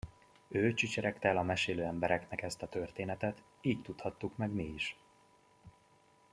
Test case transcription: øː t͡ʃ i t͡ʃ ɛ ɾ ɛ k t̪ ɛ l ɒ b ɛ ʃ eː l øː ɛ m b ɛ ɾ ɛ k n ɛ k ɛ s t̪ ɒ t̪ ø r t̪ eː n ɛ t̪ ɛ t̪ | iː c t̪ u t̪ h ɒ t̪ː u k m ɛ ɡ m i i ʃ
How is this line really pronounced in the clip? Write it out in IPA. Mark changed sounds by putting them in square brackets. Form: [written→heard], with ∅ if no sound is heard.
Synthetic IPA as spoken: øː t͡ʃ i t͡ʃ ɛ ɾ ɛ k t̪ ɛ l ɒ [b→m] ɛ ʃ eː l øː ɛ m b ɛ ɾ ɛ k n ɛ k ɛ s t̪ ɒ t̪ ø r t̪ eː n ɛ t̪ ɛ t̪ | iː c t̪ u t̪ h ɒ t̪ː u k m ɛ ɡ m i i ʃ